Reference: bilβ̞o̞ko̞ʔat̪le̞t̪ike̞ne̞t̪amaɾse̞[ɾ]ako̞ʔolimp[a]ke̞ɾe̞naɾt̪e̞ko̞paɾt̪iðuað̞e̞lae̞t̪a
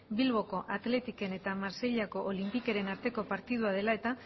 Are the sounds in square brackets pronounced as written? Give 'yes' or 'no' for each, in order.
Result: no, no

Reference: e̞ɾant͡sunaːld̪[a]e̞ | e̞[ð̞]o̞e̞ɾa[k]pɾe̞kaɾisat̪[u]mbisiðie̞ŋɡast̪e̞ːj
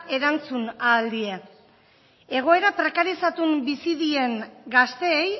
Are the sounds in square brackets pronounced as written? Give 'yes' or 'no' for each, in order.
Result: no, no, no, yes

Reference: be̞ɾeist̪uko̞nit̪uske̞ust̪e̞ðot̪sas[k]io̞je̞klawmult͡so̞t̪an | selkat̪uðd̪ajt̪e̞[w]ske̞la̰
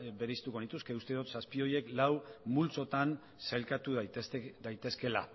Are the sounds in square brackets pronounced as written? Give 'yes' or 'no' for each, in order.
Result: no, no

